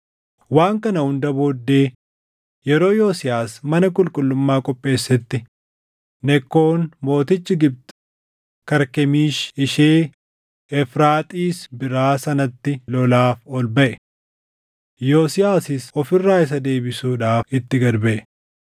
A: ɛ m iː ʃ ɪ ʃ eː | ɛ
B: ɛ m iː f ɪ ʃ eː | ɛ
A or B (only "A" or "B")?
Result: A